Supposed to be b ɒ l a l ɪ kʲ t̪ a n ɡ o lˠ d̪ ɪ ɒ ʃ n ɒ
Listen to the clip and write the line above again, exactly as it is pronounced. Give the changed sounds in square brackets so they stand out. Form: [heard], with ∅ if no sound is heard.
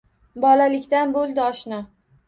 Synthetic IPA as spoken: b ɒ l a l ɪ kʲ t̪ a n [b] o lˠ d̪ ɪ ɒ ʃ n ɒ